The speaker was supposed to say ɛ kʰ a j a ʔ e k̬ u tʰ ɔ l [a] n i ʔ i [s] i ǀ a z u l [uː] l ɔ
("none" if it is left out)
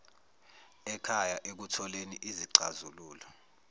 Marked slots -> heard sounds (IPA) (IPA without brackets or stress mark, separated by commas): e, z, uː